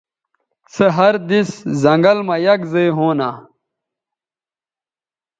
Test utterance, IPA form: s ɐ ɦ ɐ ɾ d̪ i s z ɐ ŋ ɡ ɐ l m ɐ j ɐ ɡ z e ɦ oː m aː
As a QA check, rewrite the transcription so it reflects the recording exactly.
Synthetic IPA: s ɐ ɦ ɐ ɾ d̪ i s z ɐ ŋ ɡ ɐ l m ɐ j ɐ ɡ z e ɦ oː n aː